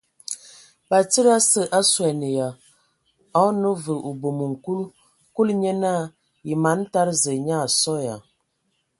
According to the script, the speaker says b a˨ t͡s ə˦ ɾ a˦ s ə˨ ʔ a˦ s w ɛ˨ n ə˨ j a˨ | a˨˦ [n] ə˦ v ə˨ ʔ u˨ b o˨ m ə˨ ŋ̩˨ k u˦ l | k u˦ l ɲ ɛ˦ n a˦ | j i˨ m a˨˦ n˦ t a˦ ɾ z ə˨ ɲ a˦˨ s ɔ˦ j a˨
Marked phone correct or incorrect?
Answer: correct